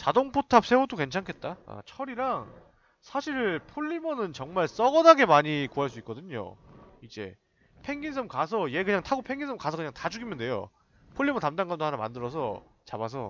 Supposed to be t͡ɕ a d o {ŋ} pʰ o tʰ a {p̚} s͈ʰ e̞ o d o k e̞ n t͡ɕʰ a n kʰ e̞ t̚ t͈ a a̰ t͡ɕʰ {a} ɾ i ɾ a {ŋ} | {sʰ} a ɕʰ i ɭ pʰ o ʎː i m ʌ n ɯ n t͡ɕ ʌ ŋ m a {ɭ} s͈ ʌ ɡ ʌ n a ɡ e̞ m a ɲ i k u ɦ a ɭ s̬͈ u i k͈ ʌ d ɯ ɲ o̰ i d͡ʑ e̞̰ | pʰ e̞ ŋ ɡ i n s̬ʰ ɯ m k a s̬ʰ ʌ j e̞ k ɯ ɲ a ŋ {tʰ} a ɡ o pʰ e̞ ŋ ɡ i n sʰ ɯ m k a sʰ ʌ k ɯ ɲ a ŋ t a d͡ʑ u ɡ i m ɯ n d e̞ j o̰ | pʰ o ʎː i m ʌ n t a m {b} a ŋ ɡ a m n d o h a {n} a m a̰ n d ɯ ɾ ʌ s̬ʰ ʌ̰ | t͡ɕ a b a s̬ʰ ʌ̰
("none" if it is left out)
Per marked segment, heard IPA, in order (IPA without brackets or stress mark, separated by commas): ŋ, p̚, ʌ, ŋ, sʰ, ɭ, tʰ, d, n